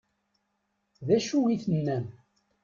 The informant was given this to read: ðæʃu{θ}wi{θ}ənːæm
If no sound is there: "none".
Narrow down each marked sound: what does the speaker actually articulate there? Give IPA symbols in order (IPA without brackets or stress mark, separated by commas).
none, θ